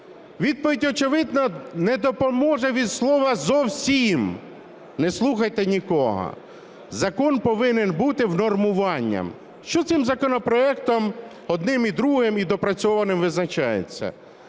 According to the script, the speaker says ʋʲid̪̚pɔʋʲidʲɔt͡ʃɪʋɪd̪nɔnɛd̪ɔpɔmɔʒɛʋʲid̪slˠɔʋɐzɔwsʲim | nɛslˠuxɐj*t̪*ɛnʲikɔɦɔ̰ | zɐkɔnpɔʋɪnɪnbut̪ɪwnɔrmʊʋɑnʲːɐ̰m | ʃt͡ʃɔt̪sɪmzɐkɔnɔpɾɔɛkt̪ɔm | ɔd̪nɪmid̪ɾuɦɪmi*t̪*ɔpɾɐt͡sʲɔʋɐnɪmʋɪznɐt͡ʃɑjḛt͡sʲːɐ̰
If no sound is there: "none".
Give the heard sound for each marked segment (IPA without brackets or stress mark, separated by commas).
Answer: t̪, d̪